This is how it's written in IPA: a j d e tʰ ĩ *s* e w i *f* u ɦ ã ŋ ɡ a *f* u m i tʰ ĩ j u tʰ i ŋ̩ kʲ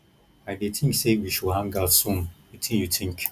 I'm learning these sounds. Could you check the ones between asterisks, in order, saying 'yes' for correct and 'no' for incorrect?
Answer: yes, no, no

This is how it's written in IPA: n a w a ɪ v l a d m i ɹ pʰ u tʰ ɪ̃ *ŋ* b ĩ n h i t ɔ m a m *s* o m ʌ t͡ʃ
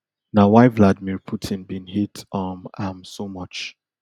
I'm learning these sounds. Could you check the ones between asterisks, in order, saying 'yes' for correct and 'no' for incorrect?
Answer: no, yes

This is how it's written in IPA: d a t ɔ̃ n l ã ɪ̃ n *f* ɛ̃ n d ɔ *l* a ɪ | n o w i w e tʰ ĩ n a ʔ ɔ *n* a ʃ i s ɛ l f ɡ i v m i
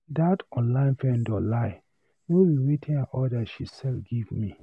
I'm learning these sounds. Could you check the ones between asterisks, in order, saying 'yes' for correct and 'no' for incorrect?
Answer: yes, yes, no

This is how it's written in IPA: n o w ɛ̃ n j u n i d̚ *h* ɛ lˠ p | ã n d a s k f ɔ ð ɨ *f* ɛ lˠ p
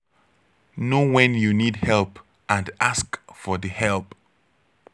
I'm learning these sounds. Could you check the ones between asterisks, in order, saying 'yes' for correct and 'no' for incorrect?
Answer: yes, no

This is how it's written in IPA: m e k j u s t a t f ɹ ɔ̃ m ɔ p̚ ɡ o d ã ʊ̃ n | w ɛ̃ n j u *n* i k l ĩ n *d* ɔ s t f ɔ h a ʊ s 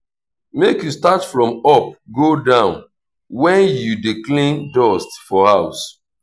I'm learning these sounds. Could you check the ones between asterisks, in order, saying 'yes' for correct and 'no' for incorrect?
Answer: no, yes

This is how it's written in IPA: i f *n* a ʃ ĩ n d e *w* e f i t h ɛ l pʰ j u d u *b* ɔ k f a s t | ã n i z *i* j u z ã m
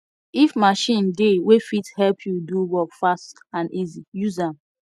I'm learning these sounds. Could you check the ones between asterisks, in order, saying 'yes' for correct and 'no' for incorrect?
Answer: no, yes, no, yes

